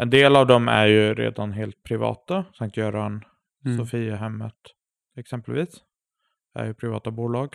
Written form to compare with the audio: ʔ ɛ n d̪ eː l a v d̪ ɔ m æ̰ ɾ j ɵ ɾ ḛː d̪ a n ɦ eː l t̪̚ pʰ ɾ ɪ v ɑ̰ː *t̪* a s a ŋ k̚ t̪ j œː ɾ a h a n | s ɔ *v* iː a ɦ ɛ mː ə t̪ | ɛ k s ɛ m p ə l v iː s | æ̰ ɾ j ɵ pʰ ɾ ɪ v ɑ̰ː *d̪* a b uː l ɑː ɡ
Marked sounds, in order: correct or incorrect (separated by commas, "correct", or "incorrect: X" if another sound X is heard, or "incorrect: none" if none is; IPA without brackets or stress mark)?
correct, incorrect: f, incorrect: t̪